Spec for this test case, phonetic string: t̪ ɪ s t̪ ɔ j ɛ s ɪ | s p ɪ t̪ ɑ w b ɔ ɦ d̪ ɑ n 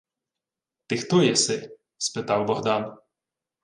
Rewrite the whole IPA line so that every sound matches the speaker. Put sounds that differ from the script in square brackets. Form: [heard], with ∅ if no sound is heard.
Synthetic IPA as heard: t̪ ɪ [x] t̪ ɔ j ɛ s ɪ | s p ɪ t̪ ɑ w b ɔ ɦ d̪ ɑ n

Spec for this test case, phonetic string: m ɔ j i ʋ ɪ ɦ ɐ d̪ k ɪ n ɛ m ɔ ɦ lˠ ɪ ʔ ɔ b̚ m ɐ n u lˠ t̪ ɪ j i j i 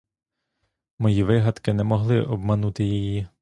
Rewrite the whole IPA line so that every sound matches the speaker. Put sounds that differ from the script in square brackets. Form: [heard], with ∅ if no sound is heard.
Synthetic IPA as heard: m ɔ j i ʋ ɪ ɦ ɐ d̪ k ɪ n ɛ m ɔ ɦ lˠ ɪ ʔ ɔ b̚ m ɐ n u [∅] t̪ ɪ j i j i

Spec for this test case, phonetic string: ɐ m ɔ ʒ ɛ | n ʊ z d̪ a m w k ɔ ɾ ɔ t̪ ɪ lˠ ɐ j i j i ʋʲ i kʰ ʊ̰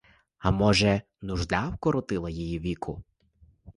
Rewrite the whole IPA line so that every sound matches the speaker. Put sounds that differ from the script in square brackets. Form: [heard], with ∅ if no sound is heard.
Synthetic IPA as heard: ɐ m ɔ ʒ ɛ | n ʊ [ʒ] d̪ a [∅] w k ɔ ɾ ɔ t̪ ɪ lˠ ɐ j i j i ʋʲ i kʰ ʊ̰

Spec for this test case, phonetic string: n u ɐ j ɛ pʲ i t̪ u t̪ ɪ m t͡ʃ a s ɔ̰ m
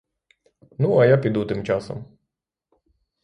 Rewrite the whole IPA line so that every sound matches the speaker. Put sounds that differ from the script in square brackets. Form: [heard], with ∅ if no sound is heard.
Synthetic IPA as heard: n u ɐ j [a] pʲ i [d̪] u t̪ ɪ m t͡ʃ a s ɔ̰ m

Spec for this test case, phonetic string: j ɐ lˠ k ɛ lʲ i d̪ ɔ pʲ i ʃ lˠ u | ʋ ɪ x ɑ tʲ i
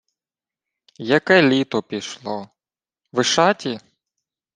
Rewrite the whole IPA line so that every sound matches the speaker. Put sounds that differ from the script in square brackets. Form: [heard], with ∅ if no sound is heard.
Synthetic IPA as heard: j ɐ [∅] k ɛ lʲ i [t̪] ɔ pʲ i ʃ lˠ [ɔ] | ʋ ɪ [ʃ] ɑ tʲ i

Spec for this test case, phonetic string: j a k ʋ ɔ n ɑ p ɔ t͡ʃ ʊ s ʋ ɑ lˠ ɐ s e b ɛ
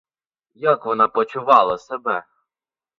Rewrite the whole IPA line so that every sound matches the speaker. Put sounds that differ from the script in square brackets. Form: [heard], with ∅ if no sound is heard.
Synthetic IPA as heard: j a k ʋ ɔ n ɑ p ɔ t͡ʃ ʊ [∅] ʋ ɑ lˠ ɐ s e b ɛ

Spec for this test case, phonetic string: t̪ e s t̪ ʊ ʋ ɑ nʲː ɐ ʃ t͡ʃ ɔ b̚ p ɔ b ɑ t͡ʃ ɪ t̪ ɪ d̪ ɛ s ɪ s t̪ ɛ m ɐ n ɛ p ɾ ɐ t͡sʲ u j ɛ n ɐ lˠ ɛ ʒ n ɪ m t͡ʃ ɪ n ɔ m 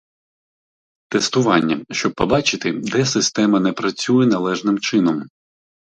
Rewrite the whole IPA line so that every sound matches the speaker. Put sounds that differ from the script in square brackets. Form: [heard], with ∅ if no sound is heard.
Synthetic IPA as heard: t̪ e s t̪ ʊ ʋ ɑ nʲː ɐ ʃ t͡ʃ ɔ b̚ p ɔ b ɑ t͡ʃ ɪ t̪ ɪ d̪ ɛ s ɪ s t̪ ɛ m ɐ n ɛ p ɾ ɐ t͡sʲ u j ɛ n ɐ lˠ ɛ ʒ n ɪ m t͡ʃ ɪ n ɔ m

